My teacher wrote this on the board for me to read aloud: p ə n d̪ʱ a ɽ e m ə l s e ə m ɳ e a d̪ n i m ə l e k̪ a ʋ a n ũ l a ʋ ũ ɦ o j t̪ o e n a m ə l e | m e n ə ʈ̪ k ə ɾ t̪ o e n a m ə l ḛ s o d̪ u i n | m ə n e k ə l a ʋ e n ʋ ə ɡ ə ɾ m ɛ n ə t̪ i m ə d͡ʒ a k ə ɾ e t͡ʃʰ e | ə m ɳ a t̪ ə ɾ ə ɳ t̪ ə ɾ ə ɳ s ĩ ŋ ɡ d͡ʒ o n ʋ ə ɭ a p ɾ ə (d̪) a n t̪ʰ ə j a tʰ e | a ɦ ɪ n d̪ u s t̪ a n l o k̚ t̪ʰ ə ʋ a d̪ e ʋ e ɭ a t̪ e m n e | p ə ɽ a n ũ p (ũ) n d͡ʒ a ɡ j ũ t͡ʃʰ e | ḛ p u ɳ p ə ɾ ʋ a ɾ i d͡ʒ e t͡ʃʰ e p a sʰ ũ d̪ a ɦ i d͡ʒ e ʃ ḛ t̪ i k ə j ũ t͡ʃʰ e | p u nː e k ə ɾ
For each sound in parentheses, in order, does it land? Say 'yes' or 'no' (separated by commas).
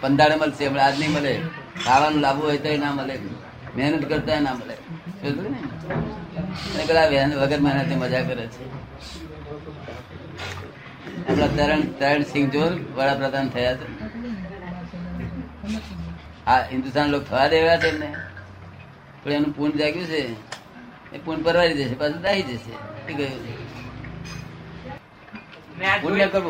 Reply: yes, no